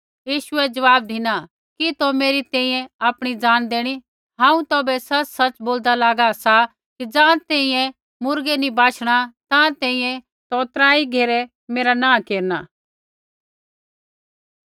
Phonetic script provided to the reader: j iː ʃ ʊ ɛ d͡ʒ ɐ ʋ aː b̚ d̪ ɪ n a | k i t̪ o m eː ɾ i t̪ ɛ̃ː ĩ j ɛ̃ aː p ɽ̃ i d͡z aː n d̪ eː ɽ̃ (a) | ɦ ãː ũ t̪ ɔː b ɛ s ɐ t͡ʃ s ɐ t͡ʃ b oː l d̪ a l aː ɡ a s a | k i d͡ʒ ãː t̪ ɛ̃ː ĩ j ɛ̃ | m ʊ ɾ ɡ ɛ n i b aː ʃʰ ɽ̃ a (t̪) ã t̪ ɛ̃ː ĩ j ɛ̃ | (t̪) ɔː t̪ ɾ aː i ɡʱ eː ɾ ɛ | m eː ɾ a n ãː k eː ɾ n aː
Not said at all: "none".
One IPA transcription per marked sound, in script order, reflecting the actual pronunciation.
i, t̪, t̪

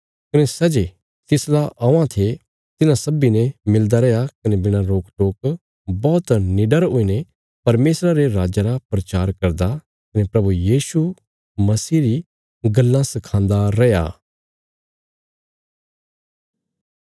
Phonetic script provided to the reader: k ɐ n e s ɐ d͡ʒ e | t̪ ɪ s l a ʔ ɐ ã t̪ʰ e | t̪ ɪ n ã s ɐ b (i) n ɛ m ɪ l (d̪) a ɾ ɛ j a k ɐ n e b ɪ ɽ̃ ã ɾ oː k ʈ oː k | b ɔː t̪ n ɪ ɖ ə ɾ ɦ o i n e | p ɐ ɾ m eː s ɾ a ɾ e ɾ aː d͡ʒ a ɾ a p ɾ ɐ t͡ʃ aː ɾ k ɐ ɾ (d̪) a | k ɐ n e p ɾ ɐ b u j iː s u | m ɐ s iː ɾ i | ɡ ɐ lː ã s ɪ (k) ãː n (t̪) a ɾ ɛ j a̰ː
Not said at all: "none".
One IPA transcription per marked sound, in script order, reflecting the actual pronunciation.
i, d̪, d̪, kʰ, d̪

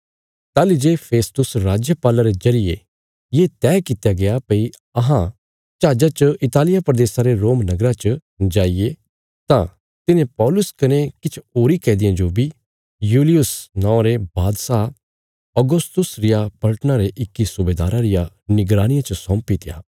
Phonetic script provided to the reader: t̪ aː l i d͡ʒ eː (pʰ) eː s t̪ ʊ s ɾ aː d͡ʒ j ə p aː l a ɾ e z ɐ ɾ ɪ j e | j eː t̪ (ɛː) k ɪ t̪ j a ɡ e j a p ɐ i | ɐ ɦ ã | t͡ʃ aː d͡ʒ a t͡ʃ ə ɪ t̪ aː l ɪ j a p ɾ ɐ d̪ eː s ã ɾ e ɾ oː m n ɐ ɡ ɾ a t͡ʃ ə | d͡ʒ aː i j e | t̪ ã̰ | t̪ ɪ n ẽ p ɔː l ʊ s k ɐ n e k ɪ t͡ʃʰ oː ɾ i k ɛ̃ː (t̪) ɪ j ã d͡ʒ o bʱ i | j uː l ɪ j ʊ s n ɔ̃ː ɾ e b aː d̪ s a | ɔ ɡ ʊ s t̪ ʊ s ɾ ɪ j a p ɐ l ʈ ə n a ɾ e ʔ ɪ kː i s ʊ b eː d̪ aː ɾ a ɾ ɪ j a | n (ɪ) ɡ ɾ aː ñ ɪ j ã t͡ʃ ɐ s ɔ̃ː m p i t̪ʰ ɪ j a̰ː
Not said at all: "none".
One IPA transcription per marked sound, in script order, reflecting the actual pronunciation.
pʰ, ɛː, d̪, ɪ

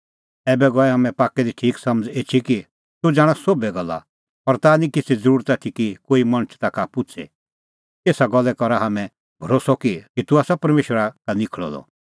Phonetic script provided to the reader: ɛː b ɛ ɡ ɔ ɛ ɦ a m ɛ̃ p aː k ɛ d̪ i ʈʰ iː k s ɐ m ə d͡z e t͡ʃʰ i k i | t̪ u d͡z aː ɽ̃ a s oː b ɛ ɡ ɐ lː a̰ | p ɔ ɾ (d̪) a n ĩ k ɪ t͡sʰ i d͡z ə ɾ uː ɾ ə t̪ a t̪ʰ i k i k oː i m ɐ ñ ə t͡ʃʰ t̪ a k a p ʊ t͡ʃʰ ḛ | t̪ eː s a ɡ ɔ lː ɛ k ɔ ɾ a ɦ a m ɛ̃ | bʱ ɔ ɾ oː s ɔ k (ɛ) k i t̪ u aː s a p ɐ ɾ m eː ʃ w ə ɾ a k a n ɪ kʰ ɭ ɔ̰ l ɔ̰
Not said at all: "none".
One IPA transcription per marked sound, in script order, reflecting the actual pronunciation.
t̪, i

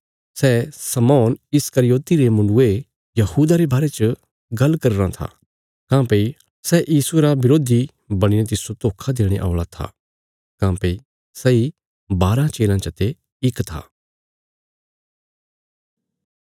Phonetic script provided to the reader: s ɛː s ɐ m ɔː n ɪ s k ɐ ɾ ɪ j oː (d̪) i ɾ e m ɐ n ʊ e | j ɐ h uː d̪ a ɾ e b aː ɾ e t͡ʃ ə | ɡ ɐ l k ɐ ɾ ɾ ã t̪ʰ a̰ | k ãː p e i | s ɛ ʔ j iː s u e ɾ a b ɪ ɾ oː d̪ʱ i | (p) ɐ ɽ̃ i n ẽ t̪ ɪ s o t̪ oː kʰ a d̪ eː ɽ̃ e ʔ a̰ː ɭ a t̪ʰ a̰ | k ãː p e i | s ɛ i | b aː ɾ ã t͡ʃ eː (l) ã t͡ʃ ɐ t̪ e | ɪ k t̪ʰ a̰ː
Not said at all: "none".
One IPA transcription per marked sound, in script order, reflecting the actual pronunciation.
t̪, b, l

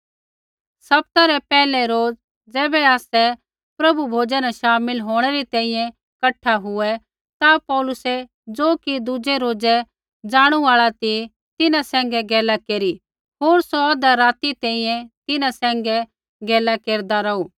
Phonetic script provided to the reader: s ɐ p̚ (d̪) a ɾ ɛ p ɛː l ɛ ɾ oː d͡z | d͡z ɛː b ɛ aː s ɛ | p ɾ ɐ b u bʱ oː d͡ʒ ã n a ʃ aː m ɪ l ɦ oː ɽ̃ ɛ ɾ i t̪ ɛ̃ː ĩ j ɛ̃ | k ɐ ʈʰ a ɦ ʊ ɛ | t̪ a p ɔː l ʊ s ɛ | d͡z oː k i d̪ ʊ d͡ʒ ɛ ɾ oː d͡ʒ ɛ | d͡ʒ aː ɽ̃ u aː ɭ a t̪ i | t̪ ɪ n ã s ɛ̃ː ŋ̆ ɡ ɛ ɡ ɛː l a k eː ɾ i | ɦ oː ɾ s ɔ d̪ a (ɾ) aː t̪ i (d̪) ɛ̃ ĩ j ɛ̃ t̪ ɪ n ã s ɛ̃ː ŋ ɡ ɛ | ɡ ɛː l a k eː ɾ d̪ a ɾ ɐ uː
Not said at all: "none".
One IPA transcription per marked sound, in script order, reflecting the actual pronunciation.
t̪, ɾ, t̪

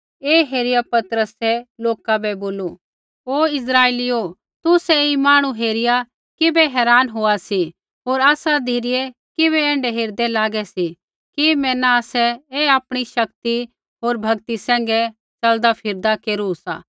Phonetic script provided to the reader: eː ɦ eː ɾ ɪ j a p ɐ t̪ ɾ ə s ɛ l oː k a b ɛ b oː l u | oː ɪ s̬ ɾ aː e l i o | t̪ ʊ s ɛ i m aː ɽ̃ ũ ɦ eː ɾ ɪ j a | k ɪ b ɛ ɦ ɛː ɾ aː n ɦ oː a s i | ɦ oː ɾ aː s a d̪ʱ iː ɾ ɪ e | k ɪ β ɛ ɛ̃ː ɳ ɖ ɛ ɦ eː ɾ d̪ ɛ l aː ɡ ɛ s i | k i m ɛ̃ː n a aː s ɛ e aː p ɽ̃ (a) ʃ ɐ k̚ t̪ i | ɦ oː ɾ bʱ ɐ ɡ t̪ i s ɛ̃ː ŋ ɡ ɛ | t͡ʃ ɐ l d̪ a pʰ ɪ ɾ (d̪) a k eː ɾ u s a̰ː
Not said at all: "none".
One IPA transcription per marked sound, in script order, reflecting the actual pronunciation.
i, d̪

